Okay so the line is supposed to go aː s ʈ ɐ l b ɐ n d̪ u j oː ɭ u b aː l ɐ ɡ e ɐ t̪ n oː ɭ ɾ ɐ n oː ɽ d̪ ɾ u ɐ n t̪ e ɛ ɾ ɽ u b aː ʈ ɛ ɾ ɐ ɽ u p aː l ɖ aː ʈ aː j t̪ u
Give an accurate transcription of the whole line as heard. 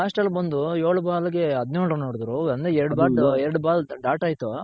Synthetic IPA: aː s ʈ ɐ l b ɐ n d̪ u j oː ɭ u b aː l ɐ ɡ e ɐ d̪ n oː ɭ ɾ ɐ n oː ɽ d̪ ɾ u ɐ n d̪ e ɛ ɾ ɽ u b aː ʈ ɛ ɾ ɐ ɽ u b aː l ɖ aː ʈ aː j t̪ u